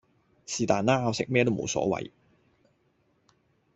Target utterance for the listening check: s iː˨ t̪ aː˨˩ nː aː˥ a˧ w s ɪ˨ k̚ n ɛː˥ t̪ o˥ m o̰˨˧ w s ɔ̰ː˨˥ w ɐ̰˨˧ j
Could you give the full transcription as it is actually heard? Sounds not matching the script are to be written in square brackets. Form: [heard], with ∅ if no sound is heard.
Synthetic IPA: s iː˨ t̪ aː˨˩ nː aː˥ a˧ w s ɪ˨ k̚ [m] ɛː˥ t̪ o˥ m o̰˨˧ w s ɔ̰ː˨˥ w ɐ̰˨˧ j